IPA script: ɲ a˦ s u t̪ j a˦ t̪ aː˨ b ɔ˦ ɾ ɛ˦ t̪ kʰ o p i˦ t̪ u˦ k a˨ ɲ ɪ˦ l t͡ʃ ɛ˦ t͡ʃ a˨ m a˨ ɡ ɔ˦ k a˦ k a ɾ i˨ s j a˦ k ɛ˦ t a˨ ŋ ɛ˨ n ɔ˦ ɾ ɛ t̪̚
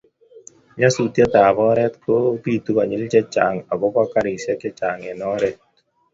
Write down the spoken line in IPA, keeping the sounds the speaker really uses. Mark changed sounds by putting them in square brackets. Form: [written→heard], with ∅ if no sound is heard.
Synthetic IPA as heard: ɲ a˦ s u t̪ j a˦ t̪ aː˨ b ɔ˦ ɾ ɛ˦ t̪ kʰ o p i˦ t̪ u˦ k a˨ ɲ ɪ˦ l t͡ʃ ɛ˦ t͡ʃ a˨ [m→ŋ] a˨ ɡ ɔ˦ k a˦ k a ɾ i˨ s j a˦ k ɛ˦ [t→t͡ʃ] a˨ ŋ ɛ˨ n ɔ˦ ɾ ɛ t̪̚